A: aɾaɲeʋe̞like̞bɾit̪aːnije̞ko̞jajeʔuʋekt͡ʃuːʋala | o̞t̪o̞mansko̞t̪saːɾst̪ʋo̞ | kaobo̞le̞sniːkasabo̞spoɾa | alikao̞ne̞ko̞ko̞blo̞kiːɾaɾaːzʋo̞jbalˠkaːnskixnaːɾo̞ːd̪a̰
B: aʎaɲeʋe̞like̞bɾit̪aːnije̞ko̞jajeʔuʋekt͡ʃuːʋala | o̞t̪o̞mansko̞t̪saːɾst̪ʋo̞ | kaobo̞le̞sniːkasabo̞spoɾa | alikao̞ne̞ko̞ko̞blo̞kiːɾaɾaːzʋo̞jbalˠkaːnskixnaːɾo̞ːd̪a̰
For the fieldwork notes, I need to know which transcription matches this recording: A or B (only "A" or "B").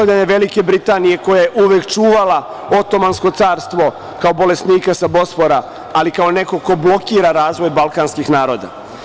B